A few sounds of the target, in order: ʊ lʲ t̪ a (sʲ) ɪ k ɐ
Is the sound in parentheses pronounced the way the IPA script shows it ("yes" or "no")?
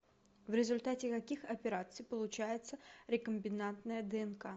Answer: no